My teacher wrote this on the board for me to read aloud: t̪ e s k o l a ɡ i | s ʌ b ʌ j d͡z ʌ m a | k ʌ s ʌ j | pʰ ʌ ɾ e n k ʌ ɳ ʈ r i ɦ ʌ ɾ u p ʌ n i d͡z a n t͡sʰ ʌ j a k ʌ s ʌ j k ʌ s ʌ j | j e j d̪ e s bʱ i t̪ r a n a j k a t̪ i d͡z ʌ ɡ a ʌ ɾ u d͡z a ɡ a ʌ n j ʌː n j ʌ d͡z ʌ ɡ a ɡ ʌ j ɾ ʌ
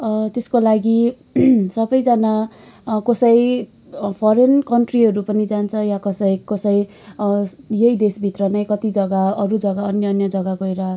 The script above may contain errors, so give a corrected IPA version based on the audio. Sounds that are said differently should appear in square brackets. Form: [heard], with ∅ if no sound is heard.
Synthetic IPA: t̪ e s k o l a ɡ i | s ʌ b ʌ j d͡z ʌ [n] a | k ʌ s ʌ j | pʰ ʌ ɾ e n k ʌ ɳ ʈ r i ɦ ʌ ɾ u p ʌ n i d͡z a n t͡sʰ ʌ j a k ʌ s ʌ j k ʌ s ʌ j | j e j d̪ e s bʱ i t̪ r [ʌ] n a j k [ʌ] t̪ i d͡z ʌ ɡ a ʌ ɾ u d͡z [ʌ] ɡ a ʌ n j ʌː n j ʌ d͡z ʌ ɡ a ɡ ʌ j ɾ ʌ